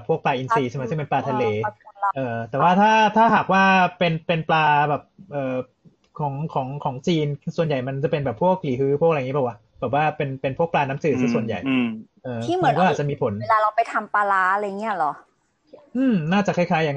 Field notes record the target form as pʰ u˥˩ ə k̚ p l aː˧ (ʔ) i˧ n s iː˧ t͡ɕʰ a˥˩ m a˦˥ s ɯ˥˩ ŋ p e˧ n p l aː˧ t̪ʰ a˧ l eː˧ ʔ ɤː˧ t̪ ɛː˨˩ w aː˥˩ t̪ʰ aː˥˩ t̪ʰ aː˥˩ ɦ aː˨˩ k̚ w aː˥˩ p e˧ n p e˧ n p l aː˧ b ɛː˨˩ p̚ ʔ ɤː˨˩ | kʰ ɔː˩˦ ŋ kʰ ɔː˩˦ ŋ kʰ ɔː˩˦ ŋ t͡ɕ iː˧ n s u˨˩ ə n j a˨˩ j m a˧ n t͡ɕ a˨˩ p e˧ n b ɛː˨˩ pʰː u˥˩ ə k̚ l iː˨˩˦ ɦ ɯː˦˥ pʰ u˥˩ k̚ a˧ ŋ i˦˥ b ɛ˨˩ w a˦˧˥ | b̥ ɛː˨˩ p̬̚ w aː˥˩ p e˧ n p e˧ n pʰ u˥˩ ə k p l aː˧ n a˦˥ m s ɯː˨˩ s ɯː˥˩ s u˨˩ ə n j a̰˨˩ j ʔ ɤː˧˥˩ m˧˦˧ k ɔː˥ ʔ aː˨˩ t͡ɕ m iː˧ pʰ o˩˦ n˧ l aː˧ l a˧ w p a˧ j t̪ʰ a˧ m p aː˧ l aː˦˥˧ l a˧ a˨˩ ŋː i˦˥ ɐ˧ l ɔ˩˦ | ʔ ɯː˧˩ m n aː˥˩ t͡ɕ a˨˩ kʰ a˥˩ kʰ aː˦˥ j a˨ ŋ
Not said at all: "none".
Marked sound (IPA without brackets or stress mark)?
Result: ʔ